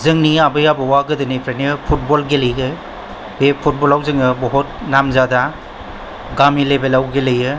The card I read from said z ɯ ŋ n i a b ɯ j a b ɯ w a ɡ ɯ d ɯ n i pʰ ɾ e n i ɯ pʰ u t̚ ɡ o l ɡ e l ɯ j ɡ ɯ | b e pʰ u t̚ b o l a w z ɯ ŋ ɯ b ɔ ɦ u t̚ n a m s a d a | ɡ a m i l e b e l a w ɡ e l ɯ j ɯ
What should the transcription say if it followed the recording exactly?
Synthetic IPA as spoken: z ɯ ŋ n i a b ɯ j a b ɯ w a ɡ ɯ d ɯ n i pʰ ɾ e n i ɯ pʰ u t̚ b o l ɡ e l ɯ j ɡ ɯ | b e pʰ u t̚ b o l a w z ɯ ŋ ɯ b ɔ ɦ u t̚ n a m z a d a | ɡ a m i l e b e l a w ɡ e l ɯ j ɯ